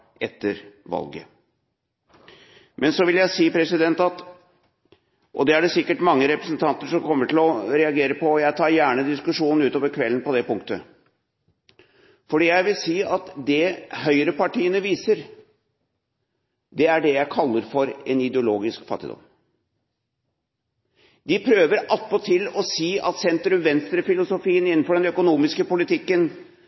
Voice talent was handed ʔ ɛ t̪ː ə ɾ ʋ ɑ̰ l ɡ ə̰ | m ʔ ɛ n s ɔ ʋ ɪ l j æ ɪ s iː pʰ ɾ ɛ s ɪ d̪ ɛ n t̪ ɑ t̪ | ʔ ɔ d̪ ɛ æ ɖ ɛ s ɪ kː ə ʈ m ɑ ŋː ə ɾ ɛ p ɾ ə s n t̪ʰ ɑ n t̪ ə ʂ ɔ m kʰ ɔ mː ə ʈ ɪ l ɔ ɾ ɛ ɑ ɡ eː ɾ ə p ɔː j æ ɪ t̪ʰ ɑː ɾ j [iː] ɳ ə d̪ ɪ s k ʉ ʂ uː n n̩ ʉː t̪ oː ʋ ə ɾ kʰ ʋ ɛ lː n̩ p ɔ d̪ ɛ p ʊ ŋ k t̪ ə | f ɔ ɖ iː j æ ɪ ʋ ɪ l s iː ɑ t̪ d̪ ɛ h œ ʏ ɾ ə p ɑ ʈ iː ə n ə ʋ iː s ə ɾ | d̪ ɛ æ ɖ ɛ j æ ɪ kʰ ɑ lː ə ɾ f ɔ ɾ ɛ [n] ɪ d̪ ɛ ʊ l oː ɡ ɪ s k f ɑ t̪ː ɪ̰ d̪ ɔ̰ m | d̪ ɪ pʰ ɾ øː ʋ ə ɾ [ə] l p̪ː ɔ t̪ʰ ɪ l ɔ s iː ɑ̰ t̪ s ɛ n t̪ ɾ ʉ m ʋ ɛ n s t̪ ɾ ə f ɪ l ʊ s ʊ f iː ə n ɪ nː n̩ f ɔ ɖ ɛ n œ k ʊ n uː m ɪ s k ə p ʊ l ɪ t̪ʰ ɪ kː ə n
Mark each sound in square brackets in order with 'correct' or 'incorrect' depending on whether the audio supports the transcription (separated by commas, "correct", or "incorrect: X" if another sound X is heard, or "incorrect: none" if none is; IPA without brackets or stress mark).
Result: incorrect: æː, correct, incorrect: ɑ